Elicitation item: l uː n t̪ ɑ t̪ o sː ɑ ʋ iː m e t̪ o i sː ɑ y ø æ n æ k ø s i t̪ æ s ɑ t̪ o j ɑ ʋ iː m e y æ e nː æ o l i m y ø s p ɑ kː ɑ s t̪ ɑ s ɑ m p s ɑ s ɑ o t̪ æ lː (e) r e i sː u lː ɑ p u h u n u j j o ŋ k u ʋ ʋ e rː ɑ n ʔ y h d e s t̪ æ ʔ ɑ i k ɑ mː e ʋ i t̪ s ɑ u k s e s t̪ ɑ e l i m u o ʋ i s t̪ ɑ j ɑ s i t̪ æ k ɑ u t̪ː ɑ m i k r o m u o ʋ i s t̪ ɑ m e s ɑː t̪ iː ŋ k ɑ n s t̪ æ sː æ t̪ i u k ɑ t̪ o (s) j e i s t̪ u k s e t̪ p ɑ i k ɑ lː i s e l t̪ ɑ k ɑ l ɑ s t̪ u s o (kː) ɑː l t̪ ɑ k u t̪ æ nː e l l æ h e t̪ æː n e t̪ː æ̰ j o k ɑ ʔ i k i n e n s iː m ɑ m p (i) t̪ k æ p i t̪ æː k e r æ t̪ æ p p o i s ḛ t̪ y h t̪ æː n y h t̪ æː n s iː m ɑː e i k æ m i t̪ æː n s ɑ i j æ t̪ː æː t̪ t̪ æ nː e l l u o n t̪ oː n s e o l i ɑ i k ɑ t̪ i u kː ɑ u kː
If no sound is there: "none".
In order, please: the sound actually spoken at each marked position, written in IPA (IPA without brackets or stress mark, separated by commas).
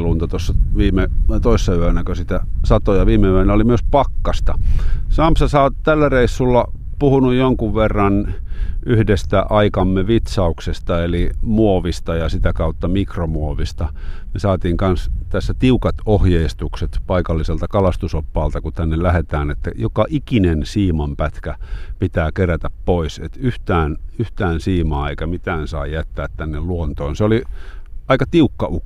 æ, h, pː, æ